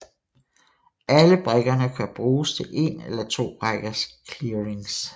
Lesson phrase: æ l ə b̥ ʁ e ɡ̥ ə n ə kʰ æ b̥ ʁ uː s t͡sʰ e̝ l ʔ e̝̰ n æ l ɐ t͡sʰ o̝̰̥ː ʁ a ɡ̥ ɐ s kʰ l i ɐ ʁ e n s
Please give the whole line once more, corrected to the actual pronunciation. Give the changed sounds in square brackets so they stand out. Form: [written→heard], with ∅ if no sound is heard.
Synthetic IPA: æ l ə b̥ ʁ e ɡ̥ [ə→ɐ] n ə kʰ æ b̥ ʁ uː s t͡sʰ e̝ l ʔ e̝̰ n [æ→e] l ɐ t͡sʰ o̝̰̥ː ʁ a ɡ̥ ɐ s kʰ l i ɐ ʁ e [n→ŋ] s